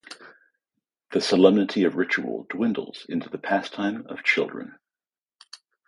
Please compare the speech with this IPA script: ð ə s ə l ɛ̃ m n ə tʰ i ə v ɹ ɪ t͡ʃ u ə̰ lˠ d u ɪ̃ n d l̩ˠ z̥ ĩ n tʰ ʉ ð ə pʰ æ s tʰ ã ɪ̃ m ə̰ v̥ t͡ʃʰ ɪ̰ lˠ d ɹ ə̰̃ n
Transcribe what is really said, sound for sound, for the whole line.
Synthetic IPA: ð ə s ə l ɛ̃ m n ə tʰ i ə v ɹ ɪ t͡ʃ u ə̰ lˠ d w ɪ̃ n d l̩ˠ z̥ ɪ̃ n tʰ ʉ ð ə pʰ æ s tʰ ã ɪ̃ m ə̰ v̥ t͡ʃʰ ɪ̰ lˠ d ɹ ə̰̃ n